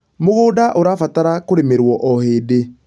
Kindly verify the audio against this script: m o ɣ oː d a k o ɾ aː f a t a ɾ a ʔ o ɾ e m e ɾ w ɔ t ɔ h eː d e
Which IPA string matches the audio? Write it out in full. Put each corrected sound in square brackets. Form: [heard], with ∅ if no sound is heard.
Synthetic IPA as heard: m o ɣ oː d a [ʔ] o ɾ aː f a t a ɾ a [k] o ɾ e m e ɾ w ɔ [ʔ] ɔ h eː d e